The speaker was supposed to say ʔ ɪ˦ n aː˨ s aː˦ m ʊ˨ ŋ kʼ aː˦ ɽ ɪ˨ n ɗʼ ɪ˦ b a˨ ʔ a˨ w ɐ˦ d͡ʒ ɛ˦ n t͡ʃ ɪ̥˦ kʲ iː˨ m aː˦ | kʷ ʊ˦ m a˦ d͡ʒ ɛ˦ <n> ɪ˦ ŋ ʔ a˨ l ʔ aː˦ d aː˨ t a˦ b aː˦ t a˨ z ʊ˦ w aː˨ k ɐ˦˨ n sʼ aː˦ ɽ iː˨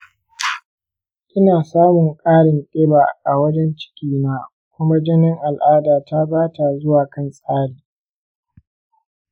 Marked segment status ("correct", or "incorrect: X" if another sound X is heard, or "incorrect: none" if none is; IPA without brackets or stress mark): correct